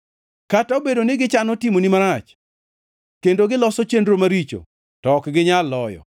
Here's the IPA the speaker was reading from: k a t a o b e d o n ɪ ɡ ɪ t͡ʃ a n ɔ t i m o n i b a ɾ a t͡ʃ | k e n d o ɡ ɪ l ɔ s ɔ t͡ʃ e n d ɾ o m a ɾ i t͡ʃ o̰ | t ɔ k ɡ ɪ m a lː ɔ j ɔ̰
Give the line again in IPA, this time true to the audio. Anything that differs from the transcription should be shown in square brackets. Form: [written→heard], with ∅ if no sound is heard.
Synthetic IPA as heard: k a t a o b e d o n ɪ ɡ ɪ t͡ʃ a n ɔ t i m o n i [b→m] a ɾ a t͡ʃ | k e n d o ɡ ɪ l ɔ s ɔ t͡ʃ e n d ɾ o m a ɾ i t͡ʃ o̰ | t ɔ k ɡ ɪ [m→ɲ] a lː ɔ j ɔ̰